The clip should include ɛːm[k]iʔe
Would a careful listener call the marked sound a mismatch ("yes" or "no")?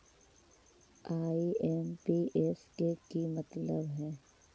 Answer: yes